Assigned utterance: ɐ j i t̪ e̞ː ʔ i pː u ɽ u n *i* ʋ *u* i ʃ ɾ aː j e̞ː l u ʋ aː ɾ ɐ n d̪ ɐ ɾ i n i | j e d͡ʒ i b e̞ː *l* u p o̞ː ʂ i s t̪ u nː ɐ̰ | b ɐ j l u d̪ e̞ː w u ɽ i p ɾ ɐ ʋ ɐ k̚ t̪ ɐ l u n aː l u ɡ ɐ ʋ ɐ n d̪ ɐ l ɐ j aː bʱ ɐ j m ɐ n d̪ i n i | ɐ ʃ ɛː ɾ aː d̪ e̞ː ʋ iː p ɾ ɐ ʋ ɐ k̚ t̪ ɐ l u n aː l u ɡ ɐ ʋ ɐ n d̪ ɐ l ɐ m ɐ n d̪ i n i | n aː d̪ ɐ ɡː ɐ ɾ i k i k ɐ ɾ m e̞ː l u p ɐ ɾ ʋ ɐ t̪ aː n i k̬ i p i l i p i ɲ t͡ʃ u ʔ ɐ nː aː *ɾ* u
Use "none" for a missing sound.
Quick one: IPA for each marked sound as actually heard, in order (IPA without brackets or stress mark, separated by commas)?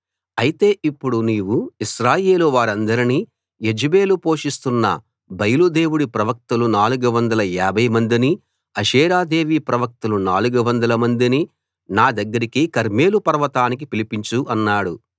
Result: iː, u, l, ɽ